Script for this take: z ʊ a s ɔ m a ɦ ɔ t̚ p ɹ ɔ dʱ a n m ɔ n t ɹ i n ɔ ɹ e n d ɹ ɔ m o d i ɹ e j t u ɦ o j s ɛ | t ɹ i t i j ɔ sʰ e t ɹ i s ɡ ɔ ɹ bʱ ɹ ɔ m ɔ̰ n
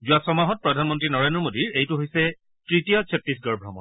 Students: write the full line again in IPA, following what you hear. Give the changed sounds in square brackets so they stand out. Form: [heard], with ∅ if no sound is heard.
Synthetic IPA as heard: z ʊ a s ɔ m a ɦ ɔ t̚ p ɹ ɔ dʱ a n m ɔ n t ɹ i n ɔ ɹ e n d ɹ ɔ m o d i ɹ e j t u ɦ o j s ɛ | t ɹ i t i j ɔ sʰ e t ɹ i s ɡ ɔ ɹ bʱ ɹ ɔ m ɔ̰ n